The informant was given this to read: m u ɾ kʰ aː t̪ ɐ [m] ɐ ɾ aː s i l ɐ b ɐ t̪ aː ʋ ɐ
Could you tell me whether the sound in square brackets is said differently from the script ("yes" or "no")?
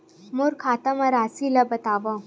no